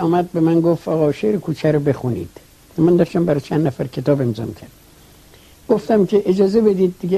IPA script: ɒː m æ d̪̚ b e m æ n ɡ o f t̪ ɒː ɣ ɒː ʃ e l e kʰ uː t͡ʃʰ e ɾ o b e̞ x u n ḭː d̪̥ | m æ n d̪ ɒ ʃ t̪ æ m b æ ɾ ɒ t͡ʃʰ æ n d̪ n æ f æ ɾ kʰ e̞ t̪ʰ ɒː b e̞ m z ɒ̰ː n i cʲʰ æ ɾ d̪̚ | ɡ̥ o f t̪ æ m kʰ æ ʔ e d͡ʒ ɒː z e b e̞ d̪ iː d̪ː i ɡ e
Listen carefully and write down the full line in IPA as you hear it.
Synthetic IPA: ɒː m æ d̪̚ b e m æ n ɡ o f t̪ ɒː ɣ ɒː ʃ e ɾ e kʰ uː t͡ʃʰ æ ɾ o b e̞ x u n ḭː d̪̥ | m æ n d̪ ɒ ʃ t̪ æ m b æ ɾ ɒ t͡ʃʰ æ n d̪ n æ f æ ɾ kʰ e̞ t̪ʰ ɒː b e̞ m z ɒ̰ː m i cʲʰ æ ɾ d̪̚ | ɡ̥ o f t̪ æ m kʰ e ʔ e d͡ʒ ɒː z e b e̞ d̪ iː d̪ː i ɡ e